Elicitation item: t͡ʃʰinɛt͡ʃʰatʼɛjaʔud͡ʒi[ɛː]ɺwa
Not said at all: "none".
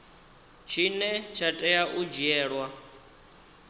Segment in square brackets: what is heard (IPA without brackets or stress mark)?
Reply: ɛː